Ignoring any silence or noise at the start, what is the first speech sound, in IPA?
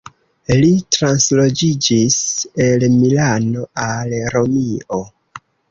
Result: l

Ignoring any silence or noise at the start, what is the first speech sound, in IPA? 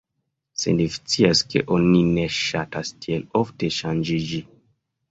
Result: s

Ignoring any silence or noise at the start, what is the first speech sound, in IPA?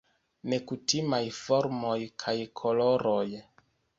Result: n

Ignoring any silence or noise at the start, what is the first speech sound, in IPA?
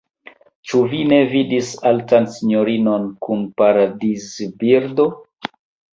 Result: t͡ʃ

